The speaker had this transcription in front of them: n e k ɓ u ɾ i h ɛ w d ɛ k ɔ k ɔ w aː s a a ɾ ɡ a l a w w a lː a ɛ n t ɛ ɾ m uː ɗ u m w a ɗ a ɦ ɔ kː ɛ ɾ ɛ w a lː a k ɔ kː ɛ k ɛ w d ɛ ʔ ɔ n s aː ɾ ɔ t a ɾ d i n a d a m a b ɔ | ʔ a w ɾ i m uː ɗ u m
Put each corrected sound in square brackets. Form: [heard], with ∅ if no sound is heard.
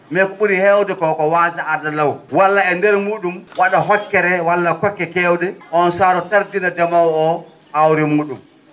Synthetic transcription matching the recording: [m] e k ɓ u ɾ i h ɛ w d ɛ k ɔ k ɔ w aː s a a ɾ [d] a l a w w a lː a ɛ n [d] ɛ ɾ m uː ɗ u m w a ɗ a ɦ ɔ kː ɛ ɾ ɛ w a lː a k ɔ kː ɛ k ɛ w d ɛ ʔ ɔ n s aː ɾ ɔ t a ɾ d i n a d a m a [w] ɔ | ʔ a w ɾ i m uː ɗ u m